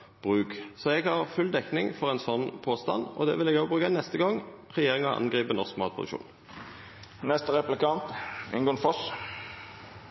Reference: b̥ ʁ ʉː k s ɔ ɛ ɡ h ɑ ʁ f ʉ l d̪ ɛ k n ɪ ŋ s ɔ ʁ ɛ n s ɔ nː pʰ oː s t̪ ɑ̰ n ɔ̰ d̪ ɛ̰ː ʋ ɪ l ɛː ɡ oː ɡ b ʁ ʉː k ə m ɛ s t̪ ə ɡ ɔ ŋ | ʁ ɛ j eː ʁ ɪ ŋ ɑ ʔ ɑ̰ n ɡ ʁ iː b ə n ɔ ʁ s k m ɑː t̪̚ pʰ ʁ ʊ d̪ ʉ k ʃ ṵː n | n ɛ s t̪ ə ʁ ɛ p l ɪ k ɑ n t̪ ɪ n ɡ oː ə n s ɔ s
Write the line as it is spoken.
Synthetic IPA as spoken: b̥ ʁ ʉː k s ɔ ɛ ɡ h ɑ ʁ f ʉ l d̪ ɛ k n ɪ ŋ f ɔ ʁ ɛ n s ɔ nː pʰ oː s t̪ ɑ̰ n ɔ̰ d̪ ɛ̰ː ʋ ɪ l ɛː ɡ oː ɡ b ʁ ʉː k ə n ɛ s t̪ ə ɡ ɔ ŋ | ʁ ɛ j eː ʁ ɪ ŋ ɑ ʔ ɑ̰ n ɡ ʁ iː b ə n ɔ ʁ s k m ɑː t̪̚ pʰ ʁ ʊ d̪ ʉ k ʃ ṵː n | n ɛ s t̪ ə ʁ ɛ p l ɪ k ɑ n t̪ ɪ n ɡ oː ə n f ɔ s